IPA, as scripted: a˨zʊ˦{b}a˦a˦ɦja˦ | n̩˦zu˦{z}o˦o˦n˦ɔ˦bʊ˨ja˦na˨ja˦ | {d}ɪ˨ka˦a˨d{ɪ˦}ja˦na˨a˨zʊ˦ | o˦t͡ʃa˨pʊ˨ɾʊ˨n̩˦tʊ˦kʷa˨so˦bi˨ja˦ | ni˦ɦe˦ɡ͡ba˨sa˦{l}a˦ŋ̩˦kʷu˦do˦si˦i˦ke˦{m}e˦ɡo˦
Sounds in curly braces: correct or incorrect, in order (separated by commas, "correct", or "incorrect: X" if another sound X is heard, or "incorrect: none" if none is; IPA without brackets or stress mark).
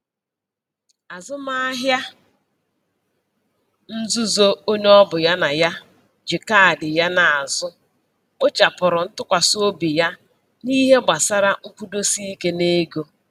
incorrect: m, correct, incorrect: d͡ʒ, incorrect: ɪ˨, incorrect: ɾ, incorrect: n